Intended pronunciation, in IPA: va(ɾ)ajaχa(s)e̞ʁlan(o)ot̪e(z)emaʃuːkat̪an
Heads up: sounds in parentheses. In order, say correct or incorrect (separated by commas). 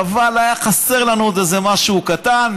incorrect, correct, incorrect, correct